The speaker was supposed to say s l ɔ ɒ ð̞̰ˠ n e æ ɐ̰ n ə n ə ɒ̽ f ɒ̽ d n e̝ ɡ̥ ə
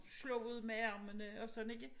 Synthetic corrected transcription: s l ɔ u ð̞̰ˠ m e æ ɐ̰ m ə n ə ɒ̽ s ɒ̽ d n e̝ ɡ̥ ə